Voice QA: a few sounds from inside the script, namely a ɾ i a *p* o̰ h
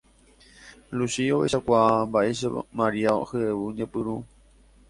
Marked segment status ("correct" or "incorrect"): incorrect